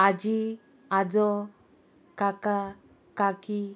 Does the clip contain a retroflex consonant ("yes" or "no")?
no